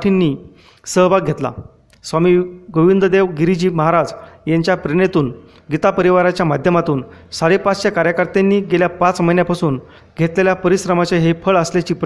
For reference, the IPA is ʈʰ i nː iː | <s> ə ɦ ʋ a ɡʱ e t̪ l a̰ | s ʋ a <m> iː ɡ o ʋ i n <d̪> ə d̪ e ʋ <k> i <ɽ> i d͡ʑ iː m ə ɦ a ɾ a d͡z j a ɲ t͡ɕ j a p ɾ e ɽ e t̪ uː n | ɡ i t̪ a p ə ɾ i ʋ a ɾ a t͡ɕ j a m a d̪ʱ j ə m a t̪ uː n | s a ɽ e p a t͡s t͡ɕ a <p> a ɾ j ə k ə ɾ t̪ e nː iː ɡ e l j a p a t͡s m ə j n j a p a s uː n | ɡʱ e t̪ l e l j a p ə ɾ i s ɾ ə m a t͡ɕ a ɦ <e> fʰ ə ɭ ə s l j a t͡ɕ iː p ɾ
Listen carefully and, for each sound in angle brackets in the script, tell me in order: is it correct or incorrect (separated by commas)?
correct, correct, correct, incorrect, incorrect, incorrect, correct